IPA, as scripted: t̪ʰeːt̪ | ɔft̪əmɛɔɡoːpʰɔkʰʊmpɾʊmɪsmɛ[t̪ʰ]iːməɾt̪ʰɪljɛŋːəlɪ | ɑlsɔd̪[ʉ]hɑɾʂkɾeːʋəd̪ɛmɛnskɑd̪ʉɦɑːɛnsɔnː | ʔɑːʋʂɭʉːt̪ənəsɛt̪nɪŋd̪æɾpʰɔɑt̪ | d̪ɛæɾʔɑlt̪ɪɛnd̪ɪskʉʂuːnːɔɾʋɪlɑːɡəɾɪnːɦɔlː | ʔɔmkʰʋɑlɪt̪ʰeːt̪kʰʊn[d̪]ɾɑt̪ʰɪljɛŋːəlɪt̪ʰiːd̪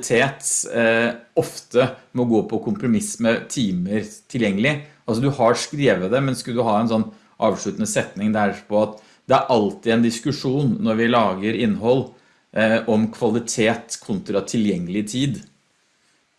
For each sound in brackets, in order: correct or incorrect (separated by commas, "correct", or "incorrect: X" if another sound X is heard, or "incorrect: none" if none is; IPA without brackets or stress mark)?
correct, correct, incorrect: t̪